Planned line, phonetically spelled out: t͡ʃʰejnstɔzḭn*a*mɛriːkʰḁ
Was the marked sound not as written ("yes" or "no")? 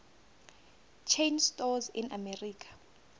no